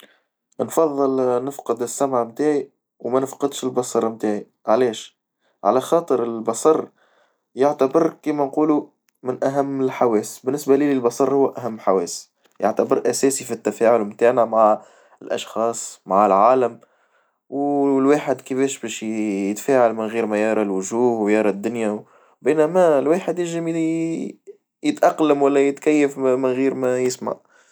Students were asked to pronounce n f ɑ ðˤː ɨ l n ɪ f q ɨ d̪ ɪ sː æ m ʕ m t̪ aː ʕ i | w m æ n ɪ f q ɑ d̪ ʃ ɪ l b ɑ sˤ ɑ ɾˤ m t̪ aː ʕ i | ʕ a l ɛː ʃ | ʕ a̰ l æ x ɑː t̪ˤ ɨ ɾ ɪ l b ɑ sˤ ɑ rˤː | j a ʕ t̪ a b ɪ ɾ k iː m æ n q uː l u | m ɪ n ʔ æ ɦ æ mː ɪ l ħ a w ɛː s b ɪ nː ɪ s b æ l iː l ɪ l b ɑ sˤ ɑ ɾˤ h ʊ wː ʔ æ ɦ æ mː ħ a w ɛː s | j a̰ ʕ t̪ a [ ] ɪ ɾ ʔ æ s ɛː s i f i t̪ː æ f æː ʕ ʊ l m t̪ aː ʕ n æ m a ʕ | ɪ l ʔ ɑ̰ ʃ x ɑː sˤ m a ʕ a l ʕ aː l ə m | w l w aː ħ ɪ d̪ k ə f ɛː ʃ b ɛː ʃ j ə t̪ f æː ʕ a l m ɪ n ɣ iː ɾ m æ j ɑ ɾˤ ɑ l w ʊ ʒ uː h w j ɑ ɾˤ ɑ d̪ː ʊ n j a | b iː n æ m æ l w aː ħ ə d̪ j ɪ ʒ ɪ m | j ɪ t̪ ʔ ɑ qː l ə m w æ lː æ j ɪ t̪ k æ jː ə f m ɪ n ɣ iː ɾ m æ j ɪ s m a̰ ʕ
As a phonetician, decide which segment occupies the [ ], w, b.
b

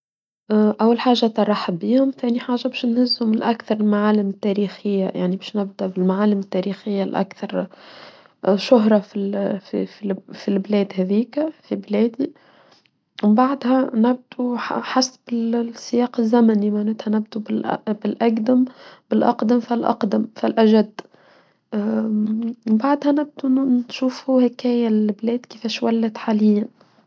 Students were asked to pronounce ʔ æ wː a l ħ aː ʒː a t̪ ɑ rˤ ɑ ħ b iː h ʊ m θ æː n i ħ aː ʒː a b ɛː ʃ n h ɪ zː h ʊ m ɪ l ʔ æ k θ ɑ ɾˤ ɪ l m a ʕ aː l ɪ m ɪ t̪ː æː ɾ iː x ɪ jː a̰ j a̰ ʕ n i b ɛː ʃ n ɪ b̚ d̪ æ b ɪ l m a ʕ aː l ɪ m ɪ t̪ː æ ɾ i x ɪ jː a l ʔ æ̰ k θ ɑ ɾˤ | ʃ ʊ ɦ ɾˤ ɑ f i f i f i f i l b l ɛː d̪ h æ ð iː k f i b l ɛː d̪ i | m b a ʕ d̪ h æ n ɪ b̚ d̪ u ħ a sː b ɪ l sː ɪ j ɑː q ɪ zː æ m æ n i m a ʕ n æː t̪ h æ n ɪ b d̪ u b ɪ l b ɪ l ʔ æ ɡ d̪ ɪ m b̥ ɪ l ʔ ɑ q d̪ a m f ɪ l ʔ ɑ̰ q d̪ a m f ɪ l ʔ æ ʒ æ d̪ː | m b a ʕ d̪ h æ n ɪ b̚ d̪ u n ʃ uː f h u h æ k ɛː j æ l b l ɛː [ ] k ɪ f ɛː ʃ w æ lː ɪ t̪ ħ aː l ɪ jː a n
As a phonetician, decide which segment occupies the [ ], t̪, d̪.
d̪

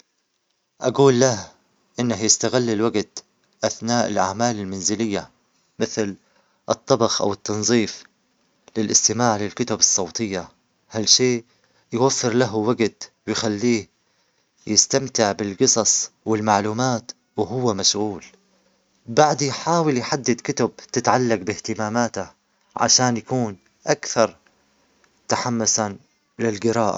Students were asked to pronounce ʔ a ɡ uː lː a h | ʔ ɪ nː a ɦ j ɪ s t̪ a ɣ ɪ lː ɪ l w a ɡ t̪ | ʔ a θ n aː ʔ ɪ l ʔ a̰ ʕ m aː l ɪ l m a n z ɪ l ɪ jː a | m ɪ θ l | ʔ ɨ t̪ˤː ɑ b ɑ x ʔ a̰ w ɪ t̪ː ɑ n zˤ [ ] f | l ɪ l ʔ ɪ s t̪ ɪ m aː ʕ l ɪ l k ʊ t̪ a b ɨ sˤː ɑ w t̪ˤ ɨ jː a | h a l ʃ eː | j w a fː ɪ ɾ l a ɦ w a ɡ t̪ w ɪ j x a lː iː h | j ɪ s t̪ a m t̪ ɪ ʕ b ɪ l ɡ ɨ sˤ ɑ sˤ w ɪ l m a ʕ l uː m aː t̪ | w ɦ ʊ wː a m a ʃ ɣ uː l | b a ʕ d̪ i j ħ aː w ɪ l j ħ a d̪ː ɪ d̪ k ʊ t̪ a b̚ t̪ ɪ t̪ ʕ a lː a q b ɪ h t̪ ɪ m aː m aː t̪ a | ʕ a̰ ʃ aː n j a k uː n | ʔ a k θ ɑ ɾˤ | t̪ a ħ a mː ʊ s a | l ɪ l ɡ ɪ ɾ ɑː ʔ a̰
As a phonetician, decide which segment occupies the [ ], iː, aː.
iː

